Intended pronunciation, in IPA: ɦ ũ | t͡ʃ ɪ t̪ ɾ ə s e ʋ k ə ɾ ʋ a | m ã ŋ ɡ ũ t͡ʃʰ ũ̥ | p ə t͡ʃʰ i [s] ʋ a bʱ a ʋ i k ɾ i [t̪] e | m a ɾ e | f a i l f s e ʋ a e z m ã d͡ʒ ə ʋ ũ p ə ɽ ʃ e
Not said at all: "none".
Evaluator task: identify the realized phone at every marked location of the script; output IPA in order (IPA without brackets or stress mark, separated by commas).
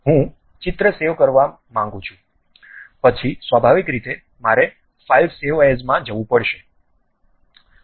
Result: s, t̪